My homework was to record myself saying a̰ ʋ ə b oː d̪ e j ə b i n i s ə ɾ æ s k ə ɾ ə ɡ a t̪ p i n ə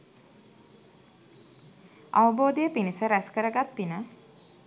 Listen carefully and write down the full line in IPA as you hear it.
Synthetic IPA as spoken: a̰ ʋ ə b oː d̪ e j ə p i n i s ə ɾ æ s k ə ɾ ə ɡ a t̪ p i n ə